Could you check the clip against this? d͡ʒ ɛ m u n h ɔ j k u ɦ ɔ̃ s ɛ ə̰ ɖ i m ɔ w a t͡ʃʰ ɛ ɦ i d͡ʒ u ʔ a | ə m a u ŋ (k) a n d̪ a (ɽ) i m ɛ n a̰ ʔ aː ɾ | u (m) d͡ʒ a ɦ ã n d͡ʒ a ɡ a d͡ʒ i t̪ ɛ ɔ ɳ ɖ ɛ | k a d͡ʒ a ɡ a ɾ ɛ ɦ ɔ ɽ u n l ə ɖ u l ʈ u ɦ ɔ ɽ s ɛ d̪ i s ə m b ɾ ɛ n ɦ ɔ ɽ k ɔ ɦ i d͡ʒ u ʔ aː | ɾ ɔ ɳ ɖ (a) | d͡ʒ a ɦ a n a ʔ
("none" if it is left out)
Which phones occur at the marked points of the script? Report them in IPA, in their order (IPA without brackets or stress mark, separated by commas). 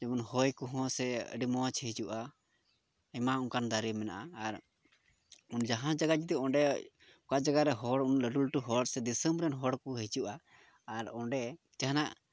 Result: k, ɾ, n, ɛ